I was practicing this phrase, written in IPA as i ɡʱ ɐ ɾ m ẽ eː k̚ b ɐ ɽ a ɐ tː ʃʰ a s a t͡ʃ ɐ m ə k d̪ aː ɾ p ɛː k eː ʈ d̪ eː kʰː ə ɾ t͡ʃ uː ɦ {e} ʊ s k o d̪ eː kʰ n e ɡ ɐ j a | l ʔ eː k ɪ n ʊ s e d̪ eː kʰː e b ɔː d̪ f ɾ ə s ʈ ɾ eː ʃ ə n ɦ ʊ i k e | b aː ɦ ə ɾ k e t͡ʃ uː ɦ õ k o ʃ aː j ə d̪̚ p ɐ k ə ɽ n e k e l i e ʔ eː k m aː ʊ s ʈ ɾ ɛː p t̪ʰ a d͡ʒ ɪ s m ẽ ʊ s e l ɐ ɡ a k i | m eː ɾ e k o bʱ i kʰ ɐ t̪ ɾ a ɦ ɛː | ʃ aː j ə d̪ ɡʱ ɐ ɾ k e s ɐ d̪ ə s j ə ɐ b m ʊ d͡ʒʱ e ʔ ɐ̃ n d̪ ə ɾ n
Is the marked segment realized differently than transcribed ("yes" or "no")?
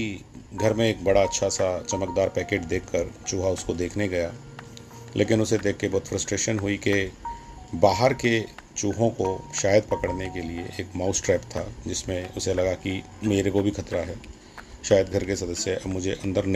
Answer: yes